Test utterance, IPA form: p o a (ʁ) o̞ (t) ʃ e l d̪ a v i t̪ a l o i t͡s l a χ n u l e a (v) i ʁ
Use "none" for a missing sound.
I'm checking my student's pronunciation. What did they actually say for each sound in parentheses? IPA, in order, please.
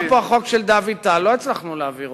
χ, k, v

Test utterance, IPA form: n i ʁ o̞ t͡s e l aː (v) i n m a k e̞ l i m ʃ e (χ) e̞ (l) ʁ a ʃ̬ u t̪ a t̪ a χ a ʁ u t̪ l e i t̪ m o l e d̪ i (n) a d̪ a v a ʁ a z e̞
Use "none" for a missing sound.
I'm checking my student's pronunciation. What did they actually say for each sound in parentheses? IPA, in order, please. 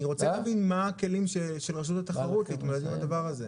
v, ʃ, l, m

